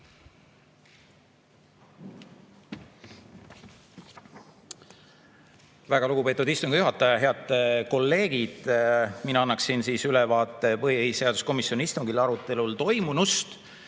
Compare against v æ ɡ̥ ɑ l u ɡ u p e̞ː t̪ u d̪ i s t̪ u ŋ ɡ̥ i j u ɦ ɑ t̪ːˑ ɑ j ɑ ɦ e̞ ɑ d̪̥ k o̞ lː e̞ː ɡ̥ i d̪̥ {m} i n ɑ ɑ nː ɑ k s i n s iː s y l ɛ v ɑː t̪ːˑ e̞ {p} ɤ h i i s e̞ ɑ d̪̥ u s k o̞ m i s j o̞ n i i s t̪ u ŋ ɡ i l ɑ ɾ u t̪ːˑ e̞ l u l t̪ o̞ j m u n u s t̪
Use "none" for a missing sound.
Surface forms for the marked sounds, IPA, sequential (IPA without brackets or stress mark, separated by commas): m, p